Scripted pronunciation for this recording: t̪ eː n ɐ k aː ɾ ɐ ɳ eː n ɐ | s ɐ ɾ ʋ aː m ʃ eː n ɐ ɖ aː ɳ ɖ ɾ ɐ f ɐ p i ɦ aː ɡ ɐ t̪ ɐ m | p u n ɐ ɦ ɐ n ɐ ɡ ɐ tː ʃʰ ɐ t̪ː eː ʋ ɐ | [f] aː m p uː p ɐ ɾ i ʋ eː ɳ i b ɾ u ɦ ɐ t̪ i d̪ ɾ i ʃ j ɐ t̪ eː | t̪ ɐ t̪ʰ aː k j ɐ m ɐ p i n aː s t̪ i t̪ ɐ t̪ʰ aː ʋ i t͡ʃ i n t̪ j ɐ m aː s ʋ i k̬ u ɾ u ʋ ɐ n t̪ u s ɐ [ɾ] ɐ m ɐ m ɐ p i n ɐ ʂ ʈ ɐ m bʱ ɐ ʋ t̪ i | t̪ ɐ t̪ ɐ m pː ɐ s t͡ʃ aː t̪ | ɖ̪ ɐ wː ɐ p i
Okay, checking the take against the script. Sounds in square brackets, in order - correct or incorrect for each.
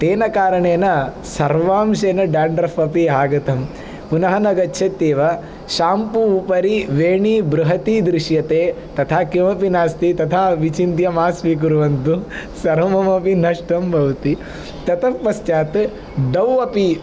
incorrect: ʃ, correct

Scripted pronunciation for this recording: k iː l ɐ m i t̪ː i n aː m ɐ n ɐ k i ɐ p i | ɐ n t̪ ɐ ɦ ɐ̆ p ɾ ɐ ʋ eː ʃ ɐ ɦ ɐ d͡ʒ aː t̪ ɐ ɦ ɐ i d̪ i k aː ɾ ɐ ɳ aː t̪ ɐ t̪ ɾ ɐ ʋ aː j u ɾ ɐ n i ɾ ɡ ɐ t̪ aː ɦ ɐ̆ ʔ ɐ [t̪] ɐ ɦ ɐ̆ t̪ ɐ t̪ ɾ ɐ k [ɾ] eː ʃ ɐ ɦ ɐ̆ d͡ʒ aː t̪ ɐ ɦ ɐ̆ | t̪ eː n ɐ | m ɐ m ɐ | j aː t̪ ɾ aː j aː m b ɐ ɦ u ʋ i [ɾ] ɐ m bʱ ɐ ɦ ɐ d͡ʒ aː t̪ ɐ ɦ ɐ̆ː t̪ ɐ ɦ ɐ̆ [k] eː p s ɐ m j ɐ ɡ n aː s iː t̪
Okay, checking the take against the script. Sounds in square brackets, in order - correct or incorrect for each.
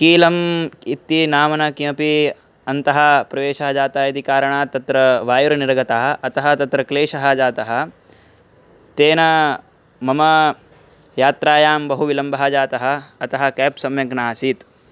correct, incorrect: l, incorrect: l, correct

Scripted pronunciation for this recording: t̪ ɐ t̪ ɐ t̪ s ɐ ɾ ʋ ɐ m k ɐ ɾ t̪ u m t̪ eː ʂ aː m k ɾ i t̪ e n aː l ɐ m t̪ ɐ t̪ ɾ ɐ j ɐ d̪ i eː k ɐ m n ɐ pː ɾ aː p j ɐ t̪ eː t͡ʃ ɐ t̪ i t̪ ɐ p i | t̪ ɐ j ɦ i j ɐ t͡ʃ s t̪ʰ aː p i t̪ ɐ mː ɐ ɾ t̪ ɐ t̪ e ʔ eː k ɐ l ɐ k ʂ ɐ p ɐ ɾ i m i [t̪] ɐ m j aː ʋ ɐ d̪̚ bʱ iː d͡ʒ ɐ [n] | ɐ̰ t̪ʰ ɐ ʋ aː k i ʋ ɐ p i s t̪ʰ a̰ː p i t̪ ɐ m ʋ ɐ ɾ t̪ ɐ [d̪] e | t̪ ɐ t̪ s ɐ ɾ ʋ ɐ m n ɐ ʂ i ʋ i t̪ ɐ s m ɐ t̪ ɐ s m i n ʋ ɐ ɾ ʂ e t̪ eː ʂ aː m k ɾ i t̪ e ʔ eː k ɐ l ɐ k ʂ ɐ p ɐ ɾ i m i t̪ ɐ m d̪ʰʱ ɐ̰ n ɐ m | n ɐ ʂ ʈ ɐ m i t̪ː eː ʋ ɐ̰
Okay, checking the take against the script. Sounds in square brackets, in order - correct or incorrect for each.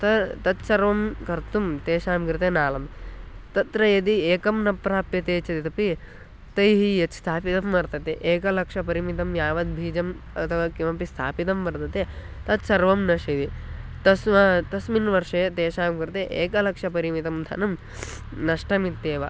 correct, incorrect: m, incorrect: t̪

